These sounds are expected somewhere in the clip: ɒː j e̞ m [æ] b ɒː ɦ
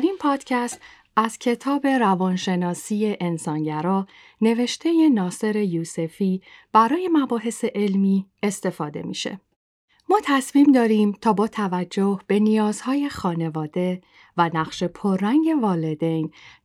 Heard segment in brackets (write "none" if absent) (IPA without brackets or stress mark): æ